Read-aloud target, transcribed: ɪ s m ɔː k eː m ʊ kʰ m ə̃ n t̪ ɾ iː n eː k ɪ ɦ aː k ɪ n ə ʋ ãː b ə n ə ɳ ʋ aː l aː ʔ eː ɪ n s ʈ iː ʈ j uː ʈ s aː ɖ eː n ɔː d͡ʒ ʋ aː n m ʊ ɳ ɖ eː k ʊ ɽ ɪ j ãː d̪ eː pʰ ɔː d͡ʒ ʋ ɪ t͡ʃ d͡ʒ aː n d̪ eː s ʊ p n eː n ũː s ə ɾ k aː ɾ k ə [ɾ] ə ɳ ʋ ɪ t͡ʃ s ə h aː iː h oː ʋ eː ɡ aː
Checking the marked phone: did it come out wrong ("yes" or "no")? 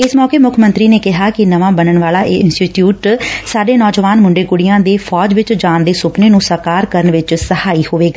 no